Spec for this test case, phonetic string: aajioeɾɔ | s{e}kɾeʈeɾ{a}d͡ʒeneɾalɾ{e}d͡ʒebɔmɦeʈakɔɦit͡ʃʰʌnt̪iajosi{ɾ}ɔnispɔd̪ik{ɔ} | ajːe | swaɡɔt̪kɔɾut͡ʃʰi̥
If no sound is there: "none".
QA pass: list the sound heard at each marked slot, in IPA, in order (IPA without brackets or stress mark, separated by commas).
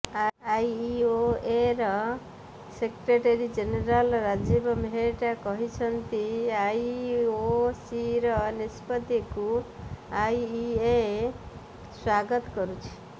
e, i, a, ɾ, u